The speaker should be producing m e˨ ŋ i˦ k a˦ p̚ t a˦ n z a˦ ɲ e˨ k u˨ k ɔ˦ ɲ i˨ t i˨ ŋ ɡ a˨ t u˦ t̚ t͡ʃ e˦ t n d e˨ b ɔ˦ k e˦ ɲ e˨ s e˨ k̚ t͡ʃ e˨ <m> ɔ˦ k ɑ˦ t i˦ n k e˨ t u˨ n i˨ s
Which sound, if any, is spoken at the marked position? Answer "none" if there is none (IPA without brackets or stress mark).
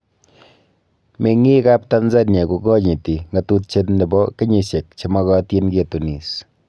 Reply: m